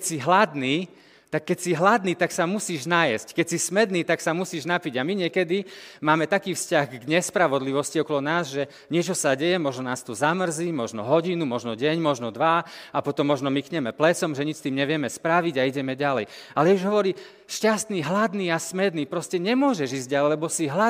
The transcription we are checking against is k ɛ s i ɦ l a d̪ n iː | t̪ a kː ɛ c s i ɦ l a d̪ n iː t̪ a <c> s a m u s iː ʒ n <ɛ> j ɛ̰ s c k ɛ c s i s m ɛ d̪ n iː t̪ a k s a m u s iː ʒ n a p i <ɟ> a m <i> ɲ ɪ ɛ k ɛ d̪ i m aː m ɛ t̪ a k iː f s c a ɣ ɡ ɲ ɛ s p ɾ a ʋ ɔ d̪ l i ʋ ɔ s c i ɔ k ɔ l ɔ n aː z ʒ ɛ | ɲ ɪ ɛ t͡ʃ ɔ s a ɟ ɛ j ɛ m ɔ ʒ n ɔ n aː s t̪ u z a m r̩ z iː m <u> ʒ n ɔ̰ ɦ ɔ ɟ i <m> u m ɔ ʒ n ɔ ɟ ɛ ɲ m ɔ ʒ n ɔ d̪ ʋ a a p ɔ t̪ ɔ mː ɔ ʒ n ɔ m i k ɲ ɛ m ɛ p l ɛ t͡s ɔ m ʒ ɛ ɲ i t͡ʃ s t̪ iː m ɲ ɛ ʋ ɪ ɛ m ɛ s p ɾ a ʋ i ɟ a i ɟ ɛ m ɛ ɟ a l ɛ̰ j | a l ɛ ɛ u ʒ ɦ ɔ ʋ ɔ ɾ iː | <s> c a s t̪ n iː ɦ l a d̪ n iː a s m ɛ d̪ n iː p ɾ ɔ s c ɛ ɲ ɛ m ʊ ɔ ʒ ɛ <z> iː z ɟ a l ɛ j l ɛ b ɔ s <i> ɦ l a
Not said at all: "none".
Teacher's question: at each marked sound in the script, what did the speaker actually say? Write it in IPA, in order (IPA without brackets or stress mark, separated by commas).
k, a, ɟ, i, ɔ, n, ʃ, ʒ, i